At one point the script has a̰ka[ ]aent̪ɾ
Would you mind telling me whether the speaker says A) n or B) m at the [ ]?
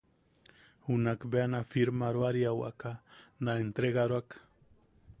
A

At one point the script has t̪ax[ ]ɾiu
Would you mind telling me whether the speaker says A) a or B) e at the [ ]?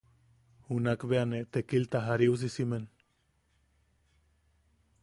A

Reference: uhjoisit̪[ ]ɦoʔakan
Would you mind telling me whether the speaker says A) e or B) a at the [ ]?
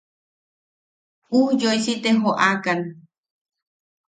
A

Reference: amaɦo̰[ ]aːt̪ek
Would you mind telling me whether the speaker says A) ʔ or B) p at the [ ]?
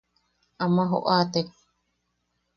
A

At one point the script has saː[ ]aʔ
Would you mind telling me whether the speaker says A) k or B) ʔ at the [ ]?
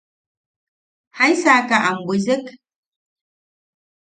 A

